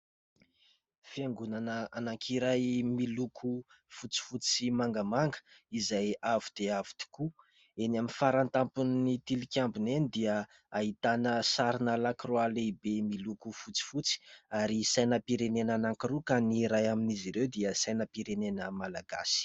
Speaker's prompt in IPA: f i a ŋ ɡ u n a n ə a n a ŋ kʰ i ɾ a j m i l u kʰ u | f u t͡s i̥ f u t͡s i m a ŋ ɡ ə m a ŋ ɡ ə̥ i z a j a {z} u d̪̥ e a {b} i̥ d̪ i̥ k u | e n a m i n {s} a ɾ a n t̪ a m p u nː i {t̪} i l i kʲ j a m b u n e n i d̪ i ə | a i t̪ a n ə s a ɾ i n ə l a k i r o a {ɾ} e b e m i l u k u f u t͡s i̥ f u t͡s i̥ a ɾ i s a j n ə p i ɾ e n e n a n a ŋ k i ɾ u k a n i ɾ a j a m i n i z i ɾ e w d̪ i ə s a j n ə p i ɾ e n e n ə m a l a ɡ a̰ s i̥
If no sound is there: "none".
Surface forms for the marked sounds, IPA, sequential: v, v, f, t̪, l

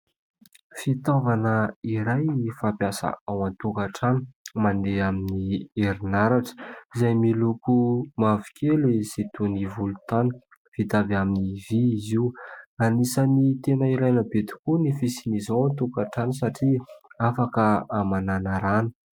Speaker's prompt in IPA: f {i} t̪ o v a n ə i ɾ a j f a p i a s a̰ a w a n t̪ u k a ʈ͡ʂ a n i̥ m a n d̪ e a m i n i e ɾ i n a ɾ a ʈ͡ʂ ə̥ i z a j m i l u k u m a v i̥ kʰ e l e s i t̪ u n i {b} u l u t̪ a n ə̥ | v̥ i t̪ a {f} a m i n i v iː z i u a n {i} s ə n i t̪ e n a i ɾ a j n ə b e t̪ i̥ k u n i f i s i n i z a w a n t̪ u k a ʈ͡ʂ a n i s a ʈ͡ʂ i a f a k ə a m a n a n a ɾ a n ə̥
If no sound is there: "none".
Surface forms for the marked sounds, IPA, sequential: i, v, v, i

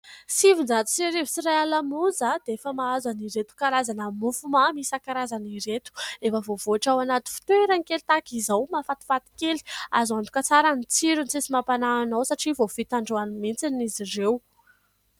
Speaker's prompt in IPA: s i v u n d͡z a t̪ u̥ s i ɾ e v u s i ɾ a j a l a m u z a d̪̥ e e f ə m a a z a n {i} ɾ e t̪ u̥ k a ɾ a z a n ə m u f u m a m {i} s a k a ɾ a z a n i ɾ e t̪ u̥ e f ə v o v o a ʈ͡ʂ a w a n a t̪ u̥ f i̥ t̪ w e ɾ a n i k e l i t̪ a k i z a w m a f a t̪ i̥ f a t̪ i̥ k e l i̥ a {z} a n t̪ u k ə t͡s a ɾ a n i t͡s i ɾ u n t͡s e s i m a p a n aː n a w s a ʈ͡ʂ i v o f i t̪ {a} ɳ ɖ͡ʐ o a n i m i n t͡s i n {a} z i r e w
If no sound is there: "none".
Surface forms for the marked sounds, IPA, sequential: i, i, z, a, i

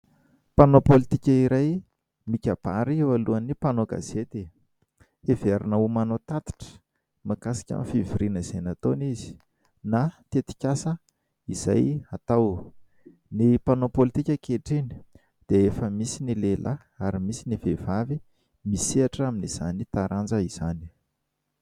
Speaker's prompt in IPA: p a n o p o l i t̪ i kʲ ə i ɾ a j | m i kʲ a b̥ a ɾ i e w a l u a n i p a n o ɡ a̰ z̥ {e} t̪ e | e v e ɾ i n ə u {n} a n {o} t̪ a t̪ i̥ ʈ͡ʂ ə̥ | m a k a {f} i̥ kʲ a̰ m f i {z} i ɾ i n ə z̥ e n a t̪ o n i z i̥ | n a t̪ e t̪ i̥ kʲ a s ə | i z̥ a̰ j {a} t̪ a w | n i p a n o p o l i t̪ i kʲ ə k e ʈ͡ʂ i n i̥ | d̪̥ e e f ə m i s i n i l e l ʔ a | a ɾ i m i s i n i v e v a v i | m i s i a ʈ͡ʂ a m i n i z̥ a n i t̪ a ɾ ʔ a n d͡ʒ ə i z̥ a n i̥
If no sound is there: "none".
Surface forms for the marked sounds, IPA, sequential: e, m, o, s, v, a

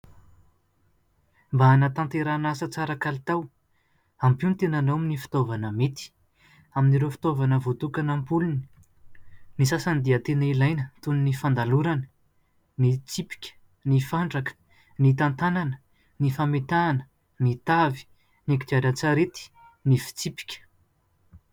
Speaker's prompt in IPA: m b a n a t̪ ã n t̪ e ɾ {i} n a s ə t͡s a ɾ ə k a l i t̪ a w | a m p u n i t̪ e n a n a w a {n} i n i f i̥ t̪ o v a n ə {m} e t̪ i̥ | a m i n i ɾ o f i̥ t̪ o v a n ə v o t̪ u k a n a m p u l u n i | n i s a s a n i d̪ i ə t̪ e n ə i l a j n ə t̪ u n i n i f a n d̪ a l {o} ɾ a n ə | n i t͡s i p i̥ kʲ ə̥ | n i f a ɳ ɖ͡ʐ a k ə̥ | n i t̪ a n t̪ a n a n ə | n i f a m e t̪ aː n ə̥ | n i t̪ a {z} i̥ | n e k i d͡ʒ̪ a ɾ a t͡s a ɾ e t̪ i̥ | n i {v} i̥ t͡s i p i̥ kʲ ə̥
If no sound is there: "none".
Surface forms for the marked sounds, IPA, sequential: a, m, m, u, v, f

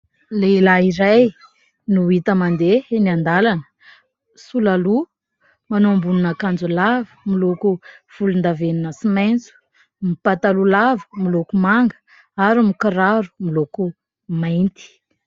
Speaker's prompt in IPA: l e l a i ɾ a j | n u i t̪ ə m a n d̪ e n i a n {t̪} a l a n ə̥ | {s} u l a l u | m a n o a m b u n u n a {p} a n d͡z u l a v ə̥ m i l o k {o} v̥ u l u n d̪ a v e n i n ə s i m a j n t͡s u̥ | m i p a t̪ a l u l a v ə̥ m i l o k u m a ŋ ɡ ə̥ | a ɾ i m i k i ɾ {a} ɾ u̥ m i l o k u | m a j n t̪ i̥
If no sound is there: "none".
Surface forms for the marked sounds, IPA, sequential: d̪, s, k, u, a

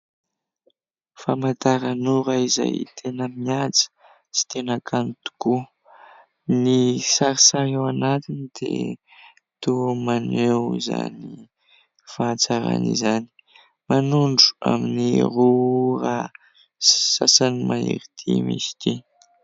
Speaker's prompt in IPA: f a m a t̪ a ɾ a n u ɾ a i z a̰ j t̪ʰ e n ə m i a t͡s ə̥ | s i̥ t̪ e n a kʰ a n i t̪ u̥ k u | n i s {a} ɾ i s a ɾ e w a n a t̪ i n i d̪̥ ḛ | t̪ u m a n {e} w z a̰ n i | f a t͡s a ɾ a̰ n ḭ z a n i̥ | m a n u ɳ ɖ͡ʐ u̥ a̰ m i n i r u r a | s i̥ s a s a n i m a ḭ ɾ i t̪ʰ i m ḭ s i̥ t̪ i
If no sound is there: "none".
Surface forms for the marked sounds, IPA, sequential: a, e

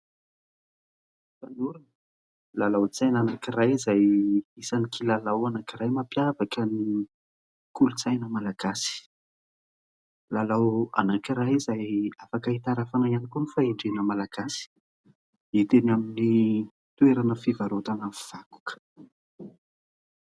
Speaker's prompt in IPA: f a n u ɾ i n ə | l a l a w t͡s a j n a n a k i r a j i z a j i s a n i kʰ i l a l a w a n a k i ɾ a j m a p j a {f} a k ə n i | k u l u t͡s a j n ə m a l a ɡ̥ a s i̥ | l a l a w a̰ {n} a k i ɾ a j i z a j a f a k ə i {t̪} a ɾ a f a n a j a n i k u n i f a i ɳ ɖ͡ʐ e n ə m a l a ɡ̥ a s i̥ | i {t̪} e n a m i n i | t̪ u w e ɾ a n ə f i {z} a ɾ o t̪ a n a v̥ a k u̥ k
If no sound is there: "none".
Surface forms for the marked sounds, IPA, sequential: v, n, t̪, t̪, v

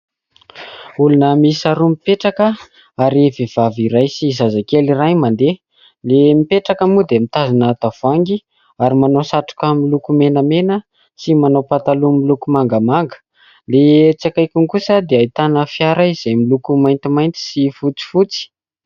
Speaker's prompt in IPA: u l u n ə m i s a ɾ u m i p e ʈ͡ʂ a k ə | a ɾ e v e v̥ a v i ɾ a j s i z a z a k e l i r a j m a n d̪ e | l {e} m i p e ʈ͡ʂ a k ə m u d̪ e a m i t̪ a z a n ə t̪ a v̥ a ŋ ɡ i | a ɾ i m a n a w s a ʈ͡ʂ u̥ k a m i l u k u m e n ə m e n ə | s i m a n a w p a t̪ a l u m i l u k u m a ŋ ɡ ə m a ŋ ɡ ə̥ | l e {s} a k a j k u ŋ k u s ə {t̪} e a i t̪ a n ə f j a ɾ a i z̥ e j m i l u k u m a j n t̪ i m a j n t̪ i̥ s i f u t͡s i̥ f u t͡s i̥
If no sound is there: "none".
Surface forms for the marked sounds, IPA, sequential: e, t͡s, d̪

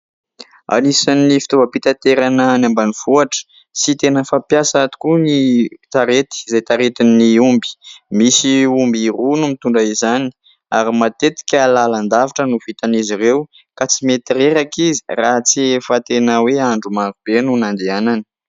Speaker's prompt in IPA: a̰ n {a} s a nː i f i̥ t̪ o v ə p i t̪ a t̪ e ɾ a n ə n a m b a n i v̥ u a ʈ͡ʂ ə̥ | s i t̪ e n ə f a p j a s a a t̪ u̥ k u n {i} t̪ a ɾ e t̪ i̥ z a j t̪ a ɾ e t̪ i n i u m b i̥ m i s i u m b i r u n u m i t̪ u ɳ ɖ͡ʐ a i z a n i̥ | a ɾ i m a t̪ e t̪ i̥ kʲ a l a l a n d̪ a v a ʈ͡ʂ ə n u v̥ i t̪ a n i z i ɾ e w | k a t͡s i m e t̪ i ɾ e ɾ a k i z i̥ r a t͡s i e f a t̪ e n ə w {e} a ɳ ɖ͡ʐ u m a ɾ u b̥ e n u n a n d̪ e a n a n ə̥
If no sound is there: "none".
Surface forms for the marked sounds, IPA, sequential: i, i, e

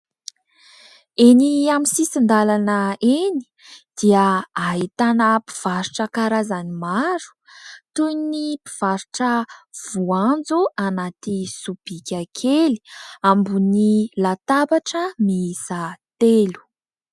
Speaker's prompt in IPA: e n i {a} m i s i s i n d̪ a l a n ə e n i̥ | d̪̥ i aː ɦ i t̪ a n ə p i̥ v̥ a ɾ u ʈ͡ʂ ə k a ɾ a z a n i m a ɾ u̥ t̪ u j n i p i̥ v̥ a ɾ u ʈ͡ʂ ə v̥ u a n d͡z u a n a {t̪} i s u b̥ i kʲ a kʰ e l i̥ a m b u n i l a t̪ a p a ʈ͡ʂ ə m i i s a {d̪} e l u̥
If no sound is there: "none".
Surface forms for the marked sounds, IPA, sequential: a, t̪, t̪

